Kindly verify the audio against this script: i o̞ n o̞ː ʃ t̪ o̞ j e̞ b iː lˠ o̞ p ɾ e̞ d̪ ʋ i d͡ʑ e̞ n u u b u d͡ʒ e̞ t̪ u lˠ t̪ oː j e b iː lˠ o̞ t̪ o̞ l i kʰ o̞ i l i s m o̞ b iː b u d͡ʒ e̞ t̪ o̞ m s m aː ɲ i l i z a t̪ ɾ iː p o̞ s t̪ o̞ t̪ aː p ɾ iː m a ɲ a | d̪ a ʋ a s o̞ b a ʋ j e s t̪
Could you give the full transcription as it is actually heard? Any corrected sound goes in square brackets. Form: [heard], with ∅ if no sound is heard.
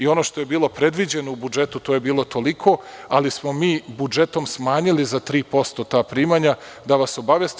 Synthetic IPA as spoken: i o̞ n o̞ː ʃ t̪ o̞ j e̞ b iː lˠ o̞ p ɾ e̞ d̪ ʋ i d͡ʑ e̞ n [o] u b u d͡ʒ e̞ t̪ u [∅] t̪ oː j e b iː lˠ o̞ t̪ o̞ l i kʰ o̞ [a] l i s m o̞ [m] iː b u d͡ʒ e̞ t̪ o̞ m s m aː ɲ i l i z a t̪ ɾ iː p o̞ s t̪ o̞ t̪ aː p ɾ iː m a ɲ a | d̪ a ʋ a s o̞ b a ʋ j e s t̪